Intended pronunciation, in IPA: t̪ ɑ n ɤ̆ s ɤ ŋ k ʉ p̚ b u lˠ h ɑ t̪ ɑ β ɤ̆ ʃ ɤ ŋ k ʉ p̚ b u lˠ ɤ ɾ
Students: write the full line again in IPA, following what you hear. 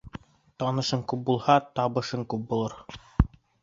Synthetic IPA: t̪ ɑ n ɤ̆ ʃ ɤ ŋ k ʉ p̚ b u lˠ h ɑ t̪ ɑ β ɤ̆ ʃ ɤ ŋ k ʉ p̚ b u lˠ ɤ ɾ